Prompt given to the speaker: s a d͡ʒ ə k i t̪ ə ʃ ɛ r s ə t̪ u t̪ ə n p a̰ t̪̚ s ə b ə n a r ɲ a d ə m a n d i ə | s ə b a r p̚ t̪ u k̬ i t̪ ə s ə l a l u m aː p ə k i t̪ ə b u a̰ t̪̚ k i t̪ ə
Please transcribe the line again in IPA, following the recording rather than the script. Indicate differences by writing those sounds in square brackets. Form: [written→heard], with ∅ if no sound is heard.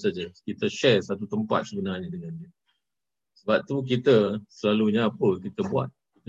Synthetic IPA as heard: s a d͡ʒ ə k i t̪ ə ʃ ɛ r s [ə→a] t̪ u t̪ ə [n→m] p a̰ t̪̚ s ə b ə n a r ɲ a d ə [m→ŋ] a n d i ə | s ə b a [r→∅] p̚ t̪ u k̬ i t̪ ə s ə l a l u [m→ɲ] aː p ə k i t̪ ə b u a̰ t̪̚ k i t̪ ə